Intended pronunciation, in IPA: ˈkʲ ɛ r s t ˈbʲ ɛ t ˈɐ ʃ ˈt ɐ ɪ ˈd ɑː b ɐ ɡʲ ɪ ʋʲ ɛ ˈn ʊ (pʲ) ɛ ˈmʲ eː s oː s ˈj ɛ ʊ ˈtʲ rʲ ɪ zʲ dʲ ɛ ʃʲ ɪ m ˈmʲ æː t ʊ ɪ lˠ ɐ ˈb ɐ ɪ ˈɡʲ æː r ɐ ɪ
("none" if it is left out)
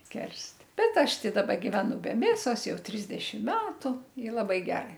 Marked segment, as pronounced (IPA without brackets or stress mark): bʲ